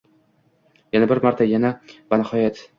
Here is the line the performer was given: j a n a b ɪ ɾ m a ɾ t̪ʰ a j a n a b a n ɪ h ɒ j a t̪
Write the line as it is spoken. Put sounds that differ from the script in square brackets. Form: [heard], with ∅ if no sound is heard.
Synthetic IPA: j a n a b ɪ ɾ m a ɾ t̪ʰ a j a n a b a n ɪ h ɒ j a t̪